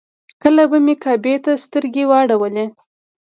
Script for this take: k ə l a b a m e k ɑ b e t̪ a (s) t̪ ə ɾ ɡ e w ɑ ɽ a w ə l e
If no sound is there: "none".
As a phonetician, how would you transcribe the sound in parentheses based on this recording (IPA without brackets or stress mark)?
s